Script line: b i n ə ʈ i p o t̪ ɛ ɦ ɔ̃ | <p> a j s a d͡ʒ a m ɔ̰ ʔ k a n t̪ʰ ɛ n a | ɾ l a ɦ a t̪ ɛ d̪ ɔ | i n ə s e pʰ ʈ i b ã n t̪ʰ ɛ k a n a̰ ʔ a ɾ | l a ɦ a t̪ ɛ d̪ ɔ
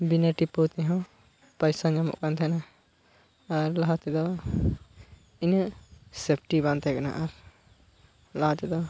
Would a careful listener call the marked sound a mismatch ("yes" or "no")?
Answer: no